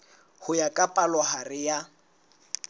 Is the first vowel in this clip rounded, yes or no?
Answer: yes